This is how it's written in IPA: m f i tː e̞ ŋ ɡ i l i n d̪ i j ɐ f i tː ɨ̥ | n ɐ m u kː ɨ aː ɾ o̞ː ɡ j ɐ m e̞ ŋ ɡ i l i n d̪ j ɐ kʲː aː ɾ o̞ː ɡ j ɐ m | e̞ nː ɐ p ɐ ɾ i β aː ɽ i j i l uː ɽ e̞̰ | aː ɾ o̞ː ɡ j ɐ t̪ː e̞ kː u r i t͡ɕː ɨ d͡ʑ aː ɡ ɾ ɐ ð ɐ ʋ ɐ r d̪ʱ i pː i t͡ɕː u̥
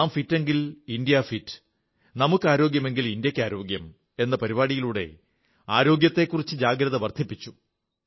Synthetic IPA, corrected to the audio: m f i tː e̞ ŋ ɡ i l i n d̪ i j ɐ f i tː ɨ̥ | n ɐ m u kː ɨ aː ɾ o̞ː ɡ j ɐ m e̞ ŋ ɡ i l i n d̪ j ɐ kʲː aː ɾ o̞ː ɡ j ɐ m | e̞ nː ɐ p ɐ ɾ i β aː ɽ i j i l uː ɽ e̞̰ | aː ɾ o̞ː ɡ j ɐ t̪ː e̞ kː u r i t͡ɕː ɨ d͡ʑ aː ɡ ɾ ɐ ð ɐ ʋ ɐ r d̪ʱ i pː i t͡ɕː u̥

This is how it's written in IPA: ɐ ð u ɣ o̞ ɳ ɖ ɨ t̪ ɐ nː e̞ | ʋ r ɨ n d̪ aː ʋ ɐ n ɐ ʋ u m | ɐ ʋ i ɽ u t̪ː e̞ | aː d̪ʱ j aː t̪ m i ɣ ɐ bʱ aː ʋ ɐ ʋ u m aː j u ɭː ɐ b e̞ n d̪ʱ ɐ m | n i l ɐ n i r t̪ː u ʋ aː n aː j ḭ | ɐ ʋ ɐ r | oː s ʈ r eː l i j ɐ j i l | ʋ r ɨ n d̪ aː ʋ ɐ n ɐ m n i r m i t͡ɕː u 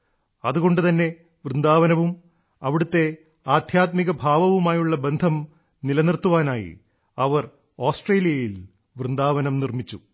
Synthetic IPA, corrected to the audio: ɐ ð u ɣ o̞ ɳ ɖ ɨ t̪ ɐ nː e̞ | ʋ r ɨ n d̪ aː ʋ ɐ n ɐ ʋ u m | ɐ ʋ i ɽ u t̪ː e̞ | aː d̪ʱ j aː t̪ m i ɣ ɐ bʱ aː ʋ ɐ ʋ u m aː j u ɭː ɐ b e̞ n d̪ʱ ɐ m | n i l ɐ n i r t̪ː u ʋ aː n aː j ḭ | ɐ ʋ ɐ r | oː s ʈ r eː l i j ɐ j i l | ʋ r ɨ n d̪ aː ʋ ɐ n ɐ m n i r m i t͡ɕː u

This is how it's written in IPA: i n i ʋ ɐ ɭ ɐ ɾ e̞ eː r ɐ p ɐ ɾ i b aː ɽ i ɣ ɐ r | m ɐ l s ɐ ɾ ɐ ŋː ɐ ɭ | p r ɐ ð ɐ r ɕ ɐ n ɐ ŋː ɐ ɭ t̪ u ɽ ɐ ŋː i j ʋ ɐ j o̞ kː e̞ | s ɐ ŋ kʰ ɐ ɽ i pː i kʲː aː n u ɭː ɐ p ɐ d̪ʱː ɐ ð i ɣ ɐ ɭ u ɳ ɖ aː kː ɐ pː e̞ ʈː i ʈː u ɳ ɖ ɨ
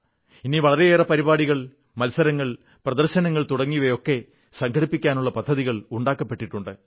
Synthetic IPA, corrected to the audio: i n i ʋ ɐ ɭ ɐ ɾ e̞ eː r ɐ p ɐ ɾ i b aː ɽ i ɣ ɐ ɭ | m ɐ l s ɐ ɾ ɐ ŋː ɐ ɭ | p r ɐ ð ɐ r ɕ ɐ n ɐ ŋː ɐ ɭ t̪ u ɽ ɐ ŋː i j ʋ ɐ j o̞ kː e̞ | s ɐ ŋ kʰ ɐ ɽ i pː i kʲː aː n u ɭː ɐ p ɐ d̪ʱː ɐ ð i ɣ ɐ ɭ u ɳ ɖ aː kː ɐ pː e̞ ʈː i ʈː u ɳ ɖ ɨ

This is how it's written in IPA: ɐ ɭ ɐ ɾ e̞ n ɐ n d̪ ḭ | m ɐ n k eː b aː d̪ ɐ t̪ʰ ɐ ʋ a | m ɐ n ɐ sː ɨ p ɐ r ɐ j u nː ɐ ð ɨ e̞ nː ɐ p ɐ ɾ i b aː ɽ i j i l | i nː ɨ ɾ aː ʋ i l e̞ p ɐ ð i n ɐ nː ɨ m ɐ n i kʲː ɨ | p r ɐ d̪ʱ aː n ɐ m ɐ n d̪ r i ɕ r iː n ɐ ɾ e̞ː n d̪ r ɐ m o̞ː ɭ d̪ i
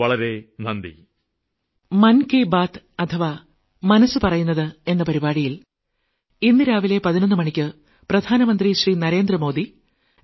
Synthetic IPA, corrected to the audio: ɐ ɭ ɐ ɾ e̞ n ɐ n d̪ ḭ | m ɐ n k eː b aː t̪ ɐ t̪ʰ ɐ ʋ a | m ɐ n ɐ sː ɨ p ɐ r ɐ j u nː ɐ ð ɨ e̞ nː ɐ p ɐ ɾ i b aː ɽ i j i l | i nː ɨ ɾ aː ʋ i l e̞ p ɐ ð i n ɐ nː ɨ m ɐ ɳ i kʲː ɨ | p r ɐ d̪ʱ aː n ɐ m ɐ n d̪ r i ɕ r iː n ɐ ɾ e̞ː n d̪ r ɐ m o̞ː d̪ i

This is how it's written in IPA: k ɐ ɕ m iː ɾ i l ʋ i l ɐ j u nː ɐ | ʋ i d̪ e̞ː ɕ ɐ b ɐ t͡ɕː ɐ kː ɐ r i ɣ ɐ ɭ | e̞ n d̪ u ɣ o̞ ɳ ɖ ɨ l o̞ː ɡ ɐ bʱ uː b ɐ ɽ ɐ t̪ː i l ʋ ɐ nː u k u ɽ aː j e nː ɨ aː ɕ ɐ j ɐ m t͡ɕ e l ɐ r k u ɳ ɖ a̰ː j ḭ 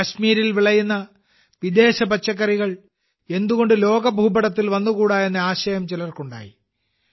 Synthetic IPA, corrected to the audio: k ɐ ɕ m iː ɾ i l ʋ i ɭ ɐ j u nː ɐ | ʋ i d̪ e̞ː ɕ ɐ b ɐ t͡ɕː ɐ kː ɐ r i ɣ ɐ ɭ | e̞ n d̪ u ɣ o̞ ɳ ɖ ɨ l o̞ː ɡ ɐ bʱ uː b ɐ ɽ ɐ t̪ː i l ʋ ɐ nː u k uː ɽ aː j e nː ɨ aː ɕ ɐ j ɐ m t͡ɕ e l ɐ r k u ɳ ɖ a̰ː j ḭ

